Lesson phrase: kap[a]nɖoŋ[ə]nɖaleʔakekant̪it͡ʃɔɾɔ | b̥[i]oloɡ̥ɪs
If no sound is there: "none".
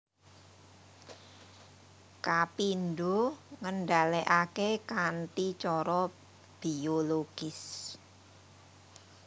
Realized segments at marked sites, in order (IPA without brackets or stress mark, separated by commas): i, ə, i